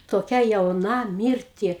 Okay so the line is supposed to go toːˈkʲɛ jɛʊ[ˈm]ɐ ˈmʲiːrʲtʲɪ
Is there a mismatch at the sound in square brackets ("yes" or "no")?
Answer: yes